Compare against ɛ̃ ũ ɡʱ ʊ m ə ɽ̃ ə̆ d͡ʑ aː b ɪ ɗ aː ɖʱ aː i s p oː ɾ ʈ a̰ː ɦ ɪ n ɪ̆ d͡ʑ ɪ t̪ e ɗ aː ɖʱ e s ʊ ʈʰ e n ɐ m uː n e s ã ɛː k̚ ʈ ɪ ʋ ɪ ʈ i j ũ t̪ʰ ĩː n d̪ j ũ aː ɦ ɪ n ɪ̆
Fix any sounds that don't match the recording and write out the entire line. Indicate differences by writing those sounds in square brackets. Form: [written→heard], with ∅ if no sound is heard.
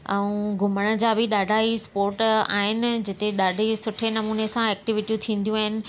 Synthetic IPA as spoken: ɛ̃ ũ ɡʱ ʊ m ə ɽ̃ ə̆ d͡ʑ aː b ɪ ɗ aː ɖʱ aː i s p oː ɾ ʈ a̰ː ɦ ɪ n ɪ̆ d͡ʑ ɪ t̪ e ɗ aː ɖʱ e s ʊ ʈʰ e n ɐ m uː n e s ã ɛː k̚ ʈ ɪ ʋ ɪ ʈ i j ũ t̪ʰ ĩː n d̪ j ũ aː ɦ ɪ n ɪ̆